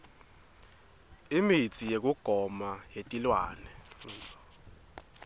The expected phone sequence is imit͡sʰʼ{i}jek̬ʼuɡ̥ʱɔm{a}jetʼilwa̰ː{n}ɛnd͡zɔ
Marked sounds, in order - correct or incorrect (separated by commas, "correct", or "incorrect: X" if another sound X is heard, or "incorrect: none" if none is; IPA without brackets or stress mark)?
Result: correct, correct, correct